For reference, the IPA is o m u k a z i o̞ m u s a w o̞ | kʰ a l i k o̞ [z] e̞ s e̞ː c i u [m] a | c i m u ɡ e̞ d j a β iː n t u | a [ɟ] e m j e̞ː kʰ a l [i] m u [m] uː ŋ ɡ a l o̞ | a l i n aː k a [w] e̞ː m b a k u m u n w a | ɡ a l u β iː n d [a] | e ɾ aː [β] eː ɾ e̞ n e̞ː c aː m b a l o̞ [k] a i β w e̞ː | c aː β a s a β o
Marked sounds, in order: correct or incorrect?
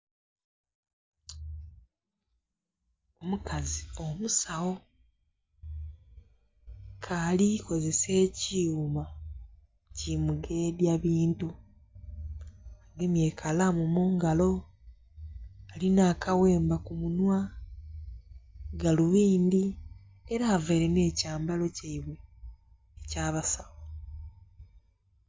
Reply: correct, correct, incorrect: ɡ, incorrect: a, correct, correct, incorrect: i, incorrect: v, incorrect: c

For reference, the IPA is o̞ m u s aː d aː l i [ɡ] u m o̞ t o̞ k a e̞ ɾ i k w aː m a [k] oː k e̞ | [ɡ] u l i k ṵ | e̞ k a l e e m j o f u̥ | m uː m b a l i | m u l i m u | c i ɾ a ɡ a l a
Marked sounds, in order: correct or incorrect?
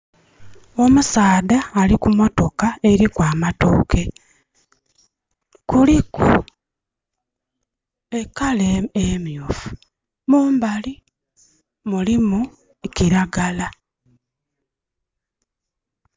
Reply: incorrect: k, incorrect: t, incorrect: k

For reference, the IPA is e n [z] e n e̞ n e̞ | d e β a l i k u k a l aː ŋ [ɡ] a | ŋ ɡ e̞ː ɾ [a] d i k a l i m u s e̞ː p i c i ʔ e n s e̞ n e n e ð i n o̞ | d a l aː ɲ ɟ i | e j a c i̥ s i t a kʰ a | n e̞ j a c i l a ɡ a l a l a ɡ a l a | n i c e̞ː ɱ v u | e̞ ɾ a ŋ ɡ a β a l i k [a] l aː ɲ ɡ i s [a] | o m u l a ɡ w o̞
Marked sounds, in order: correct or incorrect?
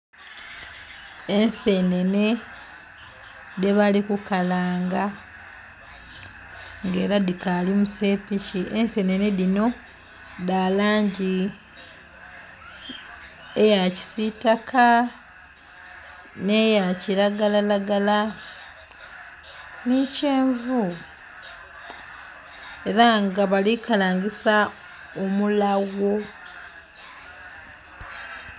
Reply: incorrect: s, correct, correct, correct, correct

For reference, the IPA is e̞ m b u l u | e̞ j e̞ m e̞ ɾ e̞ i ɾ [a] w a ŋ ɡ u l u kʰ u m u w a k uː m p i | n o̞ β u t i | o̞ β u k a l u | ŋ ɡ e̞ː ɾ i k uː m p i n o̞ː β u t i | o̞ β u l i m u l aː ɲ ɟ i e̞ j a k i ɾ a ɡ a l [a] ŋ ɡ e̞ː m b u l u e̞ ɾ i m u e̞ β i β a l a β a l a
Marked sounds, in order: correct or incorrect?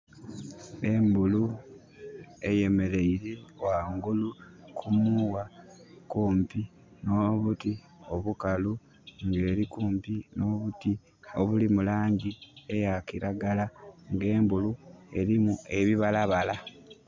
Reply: incorrect: e, correct

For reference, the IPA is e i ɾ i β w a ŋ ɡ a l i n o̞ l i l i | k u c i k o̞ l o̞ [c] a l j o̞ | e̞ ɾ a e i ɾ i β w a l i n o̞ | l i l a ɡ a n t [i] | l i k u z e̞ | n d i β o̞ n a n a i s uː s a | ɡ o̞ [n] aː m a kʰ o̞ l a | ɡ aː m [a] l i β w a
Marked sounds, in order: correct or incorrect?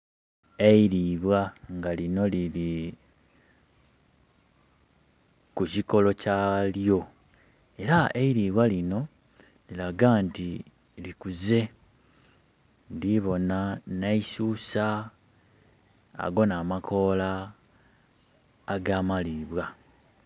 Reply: correct, correct, correct, correct

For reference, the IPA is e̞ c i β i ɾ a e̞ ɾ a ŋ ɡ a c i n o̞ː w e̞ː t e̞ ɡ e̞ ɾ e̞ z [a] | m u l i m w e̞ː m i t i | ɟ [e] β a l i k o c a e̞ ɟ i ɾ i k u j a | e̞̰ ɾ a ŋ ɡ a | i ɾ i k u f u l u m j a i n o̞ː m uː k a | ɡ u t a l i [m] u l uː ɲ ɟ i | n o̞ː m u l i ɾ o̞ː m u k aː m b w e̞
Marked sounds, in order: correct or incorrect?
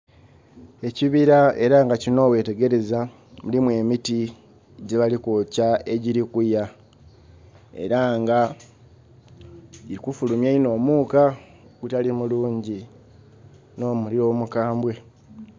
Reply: correct, correct, correct

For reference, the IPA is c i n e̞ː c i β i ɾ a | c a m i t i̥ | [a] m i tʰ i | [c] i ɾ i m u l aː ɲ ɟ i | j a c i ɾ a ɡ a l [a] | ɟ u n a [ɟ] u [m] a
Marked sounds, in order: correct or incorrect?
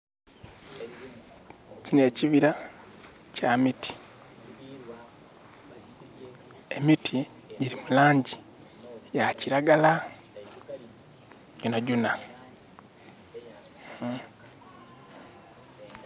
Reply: incorrect: e, incorrect: ɟ, correct, correct, incorrect: n

